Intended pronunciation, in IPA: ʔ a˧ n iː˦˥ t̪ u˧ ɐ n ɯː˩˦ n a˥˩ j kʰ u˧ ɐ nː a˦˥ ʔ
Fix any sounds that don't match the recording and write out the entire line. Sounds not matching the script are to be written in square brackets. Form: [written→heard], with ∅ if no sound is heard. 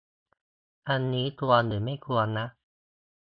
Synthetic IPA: ʔ a˧ [n→nː] iː˦˥ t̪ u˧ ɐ n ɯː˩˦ [n→m] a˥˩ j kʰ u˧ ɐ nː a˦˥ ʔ